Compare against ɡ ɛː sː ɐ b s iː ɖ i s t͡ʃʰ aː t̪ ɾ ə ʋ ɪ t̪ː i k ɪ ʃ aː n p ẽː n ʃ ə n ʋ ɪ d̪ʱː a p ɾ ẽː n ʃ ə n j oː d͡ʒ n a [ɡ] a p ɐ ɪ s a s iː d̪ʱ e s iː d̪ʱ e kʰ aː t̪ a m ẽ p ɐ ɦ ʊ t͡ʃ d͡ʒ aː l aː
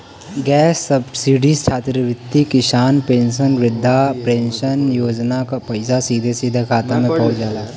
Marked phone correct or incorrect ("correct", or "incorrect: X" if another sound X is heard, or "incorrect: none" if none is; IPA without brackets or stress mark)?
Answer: incorrect: k